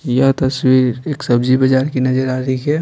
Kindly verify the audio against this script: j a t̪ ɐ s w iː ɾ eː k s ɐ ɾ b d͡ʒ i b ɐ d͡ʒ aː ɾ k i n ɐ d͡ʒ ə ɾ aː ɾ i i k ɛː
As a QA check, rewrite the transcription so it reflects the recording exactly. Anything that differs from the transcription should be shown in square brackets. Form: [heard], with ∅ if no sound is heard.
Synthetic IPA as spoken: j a t̪ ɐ s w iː ɾ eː k s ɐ [∅] b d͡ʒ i b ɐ d͡ʒ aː ɾ k i n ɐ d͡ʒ ə ɾ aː ɾ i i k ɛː